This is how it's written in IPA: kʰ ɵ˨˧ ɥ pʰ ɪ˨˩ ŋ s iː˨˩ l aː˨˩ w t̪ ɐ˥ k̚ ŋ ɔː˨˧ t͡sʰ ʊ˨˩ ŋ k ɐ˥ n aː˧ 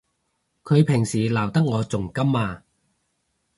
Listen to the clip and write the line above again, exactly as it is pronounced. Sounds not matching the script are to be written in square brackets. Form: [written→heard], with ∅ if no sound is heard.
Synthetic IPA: kʰ ɵ˨˧ ɥ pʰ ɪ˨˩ ŋ s iː˨˩ l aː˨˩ w t̪ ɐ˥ k̚ ŋ ɔː˨˧ [t͡sʰ→t͡s] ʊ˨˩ ŋ k ɐ˥ [n→m] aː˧